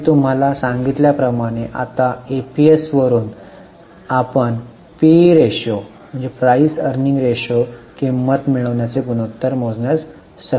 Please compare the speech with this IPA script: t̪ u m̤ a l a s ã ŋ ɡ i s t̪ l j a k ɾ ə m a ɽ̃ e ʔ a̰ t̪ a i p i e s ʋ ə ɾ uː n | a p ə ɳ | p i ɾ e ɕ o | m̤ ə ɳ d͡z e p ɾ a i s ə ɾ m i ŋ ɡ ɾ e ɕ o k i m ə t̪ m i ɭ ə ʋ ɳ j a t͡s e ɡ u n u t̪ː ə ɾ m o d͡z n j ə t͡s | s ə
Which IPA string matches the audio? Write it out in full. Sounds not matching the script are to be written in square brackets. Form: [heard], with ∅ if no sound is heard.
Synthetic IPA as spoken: t̪ u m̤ a l a s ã ŋ ɡ i [∅] t̪ l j a [p] ɾ ə m a ɽ̃ e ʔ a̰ t̪ a [e] p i e s ʋ ə ɾ uː n | a p ə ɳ | p i ɾ e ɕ o | m̤ ə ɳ d͡z e p ɾ a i s ə ɾ [n] i ŋ ɡ ɾ e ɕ o k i m ə t̪ m i ɭ ə ʋ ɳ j a t͡s e ɡ u n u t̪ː ə ɾ m o d͡z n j [a] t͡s | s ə